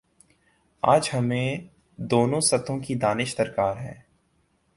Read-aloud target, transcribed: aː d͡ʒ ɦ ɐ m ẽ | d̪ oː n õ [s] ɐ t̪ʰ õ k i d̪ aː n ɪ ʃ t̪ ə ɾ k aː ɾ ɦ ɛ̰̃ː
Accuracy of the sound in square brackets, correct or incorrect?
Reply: correct